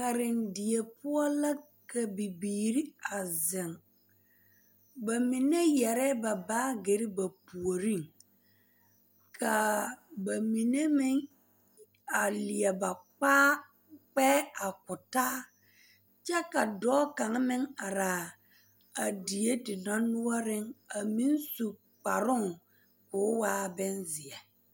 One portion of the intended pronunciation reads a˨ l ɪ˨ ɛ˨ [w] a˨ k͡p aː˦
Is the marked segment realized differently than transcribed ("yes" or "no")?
yes